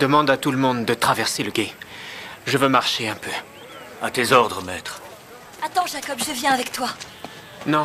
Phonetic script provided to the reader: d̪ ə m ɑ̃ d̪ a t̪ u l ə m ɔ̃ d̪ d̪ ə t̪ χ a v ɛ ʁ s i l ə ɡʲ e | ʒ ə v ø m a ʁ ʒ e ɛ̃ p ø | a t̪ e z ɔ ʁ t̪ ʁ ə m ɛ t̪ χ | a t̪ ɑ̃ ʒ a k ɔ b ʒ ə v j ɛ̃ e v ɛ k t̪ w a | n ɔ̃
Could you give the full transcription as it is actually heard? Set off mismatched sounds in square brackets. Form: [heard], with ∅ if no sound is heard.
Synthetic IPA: d̪ ə m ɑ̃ d̪ a t̪ u l ə m ɔ̃ d̪ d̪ ə t̪ χ a v ɛ ʁ s [e] l ə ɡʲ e | ʒ ə v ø m a ʁ [ʃ] e ɛ̃ p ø | a t̪ e z ɔ ʁ [d̪] ʁ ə m ɛ t̪ χ | a t̪ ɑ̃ ʒ a k ɔ b ʒ ə v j ɛ̃ [a] v ɛ k t̪ w a | n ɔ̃